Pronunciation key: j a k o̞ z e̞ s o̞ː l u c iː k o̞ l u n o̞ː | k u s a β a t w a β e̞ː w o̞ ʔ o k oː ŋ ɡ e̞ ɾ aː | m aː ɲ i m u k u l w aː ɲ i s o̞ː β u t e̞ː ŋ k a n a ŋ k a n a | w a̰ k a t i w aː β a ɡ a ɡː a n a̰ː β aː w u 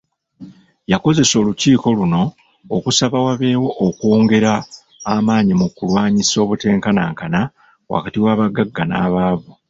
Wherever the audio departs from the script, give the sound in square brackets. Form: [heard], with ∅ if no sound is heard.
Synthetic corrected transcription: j a k o̞ z e̞ s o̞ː l u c iː k o̞ l u n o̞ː | k u s a β a [∅] w a β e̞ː w o̞ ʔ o k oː ŋ ɡ e̞ ɾ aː | m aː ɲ i m u k u l w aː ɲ i s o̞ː β u t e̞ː ŋ k a n a ŋ k a n a | w a̰ k a t i w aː β a ɡ a ɡː a n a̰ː β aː [β] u